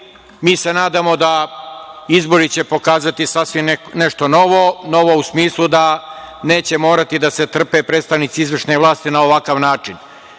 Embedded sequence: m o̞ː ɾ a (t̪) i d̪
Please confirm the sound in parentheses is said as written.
yes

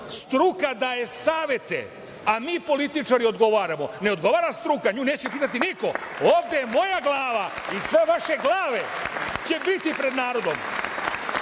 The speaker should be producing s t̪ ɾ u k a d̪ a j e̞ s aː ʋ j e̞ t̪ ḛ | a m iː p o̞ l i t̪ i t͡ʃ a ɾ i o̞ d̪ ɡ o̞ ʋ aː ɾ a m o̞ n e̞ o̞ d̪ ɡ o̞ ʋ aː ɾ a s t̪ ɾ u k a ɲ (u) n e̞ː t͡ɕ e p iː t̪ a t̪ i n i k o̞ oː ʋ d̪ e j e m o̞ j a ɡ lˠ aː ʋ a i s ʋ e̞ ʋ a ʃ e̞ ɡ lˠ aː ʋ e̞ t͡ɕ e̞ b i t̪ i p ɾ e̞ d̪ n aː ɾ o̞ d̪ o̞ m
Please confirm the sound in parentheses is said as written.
no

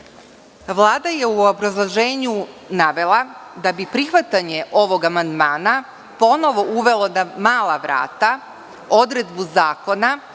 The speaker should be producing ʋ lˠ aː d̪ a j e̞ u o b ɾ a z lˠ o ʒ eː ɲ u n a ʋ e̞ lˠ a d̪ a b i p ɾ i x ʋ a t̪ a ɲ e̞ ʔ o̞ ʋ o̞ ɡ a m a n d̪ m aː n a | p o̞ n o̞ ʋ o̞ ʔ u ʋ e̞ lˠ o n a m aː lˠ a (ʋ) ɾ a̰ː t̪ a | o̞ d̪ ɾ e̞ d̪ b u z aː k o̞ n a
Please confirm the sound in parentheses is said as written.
yes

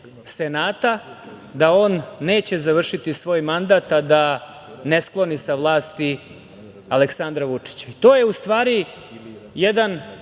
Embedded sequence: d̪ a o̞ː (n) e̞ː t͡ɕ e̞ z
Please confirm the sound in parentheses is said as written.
no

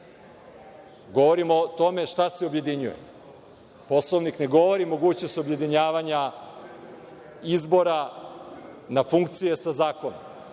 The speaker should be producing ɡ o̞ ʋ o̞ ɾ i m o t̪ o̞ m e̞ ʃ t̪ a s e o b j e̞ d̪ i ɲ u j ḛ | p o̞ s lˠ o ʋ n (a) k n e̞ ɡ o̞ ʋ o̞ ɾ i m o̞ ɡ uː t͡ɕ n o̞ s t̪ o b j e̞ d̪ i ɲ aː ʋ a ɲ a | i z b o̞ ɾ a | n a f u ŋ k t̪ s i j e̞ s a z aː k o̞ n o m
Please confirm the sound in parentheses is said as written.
no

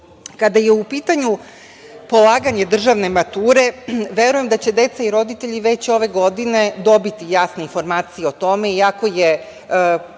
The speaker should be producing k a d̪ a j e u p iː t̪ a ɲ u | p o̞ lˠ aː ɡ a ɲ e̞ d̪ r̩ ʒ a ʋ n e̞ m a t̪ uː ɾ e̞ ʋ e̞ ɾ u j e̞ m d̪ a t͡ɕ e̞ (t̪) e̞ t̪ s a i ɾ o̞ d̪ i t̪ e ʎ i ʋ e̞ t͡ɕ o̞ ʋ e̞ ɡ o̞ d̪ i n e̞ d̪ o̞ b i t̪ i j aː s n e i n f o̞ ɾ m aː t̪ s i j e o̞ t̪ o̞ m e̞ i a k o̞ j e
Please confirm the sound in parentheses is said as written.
no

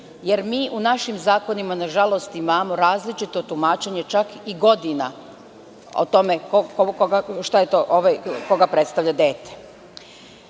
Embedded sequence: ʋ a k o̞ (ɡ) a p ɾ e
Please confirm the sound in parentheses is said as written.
yes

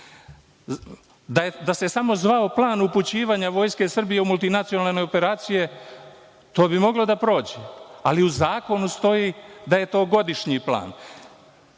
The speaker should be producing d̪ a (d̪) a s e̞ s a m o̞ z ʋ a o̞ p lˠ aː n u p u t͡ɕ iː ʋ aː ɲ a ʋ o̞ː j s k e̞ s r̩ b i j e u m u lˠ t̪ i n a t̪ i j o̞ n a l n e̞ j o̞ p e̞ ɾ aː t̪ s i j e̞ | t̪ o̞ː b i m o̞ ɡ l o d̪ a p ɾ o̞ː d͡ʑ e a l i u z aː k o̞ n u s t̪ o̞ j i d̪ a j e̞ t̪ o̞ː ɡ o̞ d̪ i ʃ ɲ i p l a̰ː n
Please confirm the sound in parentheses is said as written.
yes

